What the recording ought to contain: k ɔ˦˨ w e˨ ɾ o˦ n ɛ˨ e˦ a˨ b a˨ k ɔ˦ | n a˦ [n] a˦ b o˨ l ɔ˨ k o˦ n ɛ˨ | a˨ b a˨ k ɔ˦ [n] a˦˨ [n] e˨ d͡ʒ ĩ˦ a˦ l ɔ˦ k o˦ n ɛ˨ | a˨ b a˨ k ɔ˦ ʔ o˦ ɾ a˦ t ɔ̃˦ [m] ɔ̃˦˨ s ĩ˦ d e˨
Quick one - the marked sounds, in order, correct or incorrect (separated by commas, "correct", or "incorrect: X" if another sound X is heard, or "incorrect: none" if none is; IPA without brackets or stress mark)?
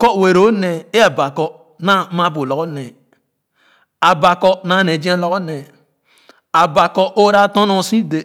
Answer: incorrect: m, correct, correct, incorrect: n